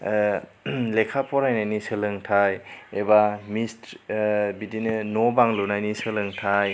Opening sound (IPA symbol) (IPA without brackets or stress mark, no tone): l